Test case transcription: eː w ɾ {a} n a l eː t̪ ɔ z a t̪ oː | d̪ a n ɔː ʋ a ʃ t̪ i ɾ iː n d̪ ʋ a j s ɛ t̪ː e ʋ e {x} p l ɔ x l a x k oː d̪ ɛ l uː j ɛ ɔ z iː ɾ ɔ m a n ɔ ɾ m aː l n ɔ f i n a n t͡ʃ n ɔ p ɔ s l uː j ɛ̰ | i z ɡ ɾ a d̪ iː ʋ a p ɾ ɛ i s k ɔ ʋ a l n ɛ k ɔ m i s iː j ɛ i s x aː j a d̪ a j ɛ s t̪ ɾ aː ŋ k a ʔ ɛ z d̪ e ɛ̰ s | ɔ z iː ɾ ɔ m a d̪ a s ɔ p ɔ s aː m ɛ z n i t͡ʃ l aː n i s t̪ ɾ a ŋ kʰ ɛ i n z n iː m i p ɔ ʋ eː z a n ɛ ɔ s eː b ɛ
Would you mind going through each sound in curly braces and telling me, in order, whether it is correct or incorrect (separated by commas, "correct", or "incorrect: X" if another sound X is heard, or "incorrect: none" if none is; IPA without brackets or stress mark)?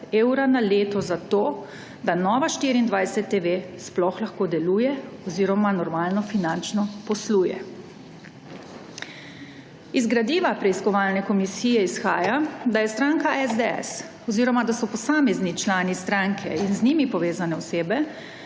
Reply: correct, incorrect: s